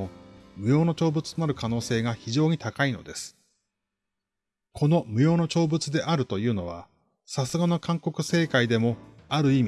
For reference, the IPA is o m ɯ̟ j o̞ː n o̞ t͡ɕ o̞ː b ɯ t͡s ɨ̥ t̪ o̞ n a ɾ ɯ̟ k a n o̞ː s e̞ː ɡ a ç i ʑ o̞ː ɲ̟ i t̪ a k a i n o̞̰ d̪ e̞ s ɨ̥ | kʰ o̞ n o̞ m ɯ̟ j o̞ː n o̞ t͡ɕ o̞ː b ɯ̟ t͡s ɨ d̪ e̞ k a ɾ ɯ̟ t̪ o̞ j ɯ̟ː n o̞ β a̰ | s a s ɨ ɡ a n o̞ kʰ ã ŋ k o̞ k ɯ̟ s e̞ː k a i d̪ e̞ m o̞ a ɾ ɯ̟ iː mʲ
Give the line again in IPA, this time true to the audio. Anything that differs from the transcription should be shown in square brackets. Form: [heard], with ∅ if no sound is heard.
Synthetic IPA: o m ɯ̟ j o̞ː n o̞ t͡ɕ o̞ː b ɯ t͡s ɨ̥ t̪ o̞ n a ɾ ɯ̟ k a n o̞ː s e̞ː ɡ a ç i ʑ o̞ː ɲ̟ i t̪ a k a i n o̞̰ d̪ e̞ s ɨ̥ | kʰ o̞ n o̞ m ɯ̟ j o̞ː n o̞ t͡ɕ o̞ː b ɯ̟ t͡s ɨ d̪ e̞ [ʔ] a ɾ ɯ̟ t̪ o̞ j ɯ̟ː n o̞ β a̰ | s a s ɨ ɡ a n o̞ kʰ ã ŋ k o̞ k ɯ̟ s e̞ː k a i d̪ e̞ m o̞ a ɾ ɯ̟ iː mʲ

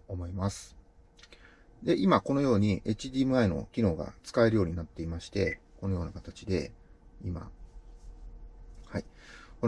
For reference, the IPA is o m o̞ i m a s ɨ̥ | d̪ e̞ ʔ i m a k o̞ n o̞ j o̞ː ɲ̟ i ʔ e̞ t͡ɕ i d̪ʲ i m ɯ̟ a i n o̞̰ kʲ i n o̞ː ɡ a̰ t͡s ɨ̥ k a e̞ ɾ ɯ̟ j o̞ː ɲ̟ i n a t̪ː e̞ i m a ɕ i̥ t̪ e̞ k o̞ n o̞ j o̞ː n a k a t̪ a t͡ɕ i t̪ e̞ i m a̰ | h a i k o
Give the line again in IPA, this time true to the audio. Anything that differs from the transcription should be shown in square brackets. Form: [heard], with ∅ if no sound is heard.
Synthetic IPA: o m o̞ i m a s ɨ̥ | d̪ e̞ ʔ i m a k o̞ n o̞ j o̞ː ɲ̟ i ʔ e̞ t͡ɕ i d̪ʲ i m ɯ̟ a i n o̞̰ kʲ i n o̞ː ɡ a̰ t͡s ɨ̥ k a e̞ ɾ ɯ̟ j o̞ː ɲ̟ i n a t̪ː e̞ i m a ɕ i̥ t̪ e̞ k o̞ n o̞ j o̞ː n a k a t̪ a t͡ɕ i [d̪] e̞ i m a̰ | h a i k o

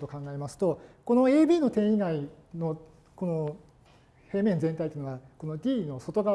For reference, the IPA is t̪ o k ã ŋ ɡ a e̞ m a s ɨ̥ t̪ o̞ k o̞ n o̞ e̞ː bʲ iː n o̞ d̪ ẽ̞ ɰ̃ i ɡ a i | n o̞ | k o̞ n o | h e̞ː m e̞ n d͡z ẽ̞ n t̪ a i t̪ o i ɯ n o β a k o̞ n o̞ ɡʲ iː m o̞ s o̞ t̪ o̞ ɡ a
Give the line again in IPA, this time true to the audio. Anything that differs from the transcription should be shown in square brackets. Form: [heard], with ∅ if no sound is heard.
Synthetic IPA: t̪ o k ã ŋ ɡ a e̞ m a s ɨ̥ t̪ o̞ k o̞ n o̞ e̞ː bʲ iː n o̞ [t̪] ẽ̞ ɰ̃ i ɡ a i | n o̞ | k o̞ n o | h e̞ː m [ẽ̞] n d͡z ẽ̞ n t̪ a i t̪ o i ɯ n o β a k o̞ n o̞ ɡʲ iː [n] o̞ s o̞ t̪ o̞ ɡ a

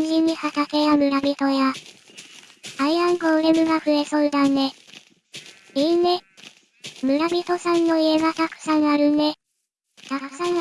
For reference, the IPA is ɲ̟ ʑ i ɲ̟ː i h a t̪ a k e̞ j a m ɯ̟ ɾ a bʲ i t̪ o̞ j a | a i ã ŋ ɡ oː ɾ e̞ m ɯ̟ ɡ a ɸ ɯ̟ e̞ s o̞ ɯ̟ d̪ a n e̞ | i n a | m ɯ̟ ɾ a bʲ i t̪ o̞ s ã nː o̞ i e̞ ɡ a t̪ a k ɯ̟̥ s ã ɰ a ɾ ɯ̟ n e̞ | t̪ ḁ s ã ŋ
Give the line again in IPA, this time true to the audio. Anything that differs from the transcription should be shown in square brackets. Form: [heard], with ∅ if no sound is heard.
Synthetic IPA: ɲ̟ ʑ i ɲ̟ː i h a t̪ a k e̞ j a m ɯ̟ ɾ a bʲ i t̪ o̞ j a | a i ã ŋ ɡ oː ɾ e̞ m ɯ̟ ɡ a ɸ ɯ̟ e̞ s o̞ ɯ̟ d̪ a n e̞ | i n [e] | m ɯ̟ ɾ a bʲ i t̪ o̞ s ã nː o̞ i e̞ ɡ a t̪ a k ɯ̟̥ s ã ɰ a ɾ ɯ̟ n e̞ | t̪ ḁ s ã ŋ

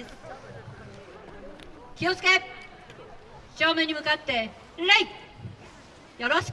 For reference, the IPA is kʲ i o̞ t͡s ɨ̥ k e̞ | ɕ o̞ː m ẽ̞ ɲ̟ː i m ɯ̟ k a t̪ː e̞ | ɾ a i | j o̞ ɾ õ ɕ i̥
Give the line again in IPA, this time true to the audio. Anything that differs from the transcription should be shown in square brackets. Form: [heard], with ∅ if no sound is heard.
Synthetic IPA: kʲ i o̞ t͡s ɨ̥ k e̞ | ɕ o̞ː m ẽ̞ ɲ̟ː i m ɯ̟ k a t̪ː e̞ | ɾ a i | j o̞ ɾ [o] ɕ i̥

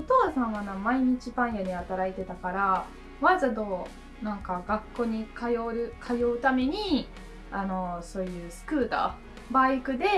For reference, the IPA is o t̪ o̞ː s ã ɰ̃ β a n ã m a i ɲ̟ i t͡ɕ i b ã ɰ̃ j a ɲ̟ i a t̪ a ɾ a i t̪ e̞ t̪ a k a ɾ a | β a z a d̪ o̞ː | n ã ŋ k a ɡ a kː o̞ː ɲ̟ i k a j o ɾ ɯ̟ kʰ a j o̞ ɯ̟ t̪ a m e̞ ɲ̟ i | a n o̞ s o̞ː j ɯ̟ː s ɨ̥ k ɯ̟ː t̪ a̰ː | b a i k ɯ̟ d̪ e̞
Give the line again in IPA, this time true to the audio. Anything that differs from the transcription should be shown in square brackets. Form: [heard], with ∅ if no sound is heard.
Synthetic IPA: o t̪ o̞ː s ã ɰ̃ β a n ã m a i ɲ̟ i t͡ɕ i b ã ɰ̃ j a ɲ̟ i a t̪ a ɾ a i t̪ e̞ t̪ a k a ɾ a | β a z a d̪ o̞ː | n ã ŋ k a ɡ a kː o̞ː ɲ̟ i k a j o ɾ ɯ̟ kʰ a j o̞ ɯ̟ t̪ a m e̞ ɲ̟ i | a n o̞ s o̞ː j ɯ̟ː s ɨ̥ k ɯ̟ː t̪ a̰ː | b a i k ɯ̟ d̪ e̞

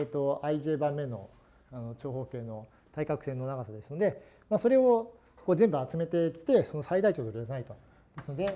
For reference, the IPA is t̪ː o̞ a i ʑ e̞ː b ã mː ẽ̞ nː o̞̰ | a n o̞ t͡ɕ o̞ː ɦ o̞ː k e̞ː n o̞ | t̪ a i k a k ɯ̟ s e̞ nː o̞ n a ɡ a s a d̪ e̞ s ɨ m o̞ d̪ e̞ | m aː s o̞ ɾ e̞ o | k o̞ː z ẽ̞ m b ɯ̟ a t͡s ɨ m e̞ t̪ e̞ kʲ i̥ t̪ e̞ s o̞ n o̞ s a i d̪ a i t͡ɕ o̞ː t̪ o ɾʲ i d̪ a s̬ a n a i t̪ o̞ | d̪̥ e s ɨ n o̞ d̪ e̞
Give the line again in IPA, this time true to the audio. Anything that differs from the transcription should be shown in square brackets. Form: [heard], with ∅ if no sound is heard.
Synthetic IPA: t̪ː o̞ a i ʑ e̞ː b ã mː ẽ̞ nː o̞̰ | a n o̞ t͡ɕ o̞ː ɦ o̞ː k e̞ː n o̞ | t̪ a i k a k ɯ̟ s e̞ nː o̞ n a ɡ a s a d̪ e̞ s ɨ [n] o̞ d̪ e̞ | m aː s o̞ ɾ e̞ o | k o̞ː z ẽ̞ m b ɯ̟ a t͡s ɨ m e̞ t̪ e̞ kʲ i̥ t̪ e̞ s o̞ n o̞ s a i d̪ a i t͡ɕ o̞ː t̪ o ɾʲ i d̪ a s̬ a n a i t̪ o̞ | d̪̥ e s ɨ n o̞ d̪ e̞

